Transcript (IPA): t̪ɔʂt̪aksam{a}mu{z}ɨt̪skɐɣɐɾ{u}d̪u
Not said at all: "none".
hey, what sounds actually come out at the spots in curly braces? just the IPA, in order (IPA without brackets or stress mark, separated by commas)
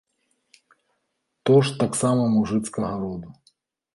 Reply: ɐ, ʐ, ɔ